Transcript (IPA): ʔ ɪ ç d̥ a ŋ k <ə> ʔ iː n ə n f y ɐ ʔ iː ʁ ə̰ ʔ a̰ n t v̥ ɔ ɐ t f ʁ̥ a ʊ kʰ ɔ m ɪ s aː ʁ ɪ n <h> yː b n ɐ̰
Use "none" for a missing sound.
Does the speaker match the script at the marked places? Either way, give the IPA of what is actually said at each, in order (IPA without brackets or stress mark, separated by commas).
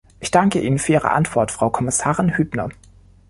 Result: ə, h